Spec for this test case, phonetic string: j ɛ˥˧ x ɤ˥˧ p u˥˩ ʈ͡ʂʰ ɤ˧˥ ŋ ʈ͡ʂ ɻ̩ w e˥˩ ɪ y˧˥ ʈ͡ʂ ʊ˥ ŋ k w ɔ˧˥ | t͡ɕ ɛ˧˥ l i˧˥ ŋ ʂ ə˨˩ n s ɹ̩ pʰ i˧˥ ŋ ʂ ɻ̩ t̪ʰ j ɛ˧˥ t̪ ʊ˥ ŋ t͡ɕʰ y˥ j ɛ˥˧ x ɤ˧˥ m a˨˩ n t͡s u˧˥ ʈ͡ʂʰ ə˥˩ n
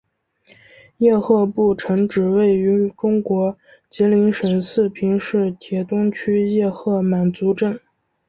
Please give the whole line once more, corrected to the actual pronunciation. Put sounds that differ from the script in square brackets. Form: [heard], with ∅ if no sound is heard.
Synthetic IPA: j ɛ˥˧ x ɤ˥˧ p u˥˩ ʈ͡ʂʰ ɤ˧˥ ŋ ʈ͡ʂ ɻ̩ w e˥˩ ɪ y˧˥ ʈ͡ʂ ʊ˥ ŋ k w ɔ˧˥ | t͡ɕ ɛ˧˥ l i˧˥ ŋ ʂ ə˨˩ n s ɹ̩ pʰ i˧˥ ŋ ʂ ɻ̩ t̪ʰ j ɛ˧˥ t̪ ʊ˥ ŋ t͡ɕʰ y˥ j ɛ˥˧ x [ɤ˥˩] m a˨˩ n t͡s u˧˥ [ʈ͡ʂ] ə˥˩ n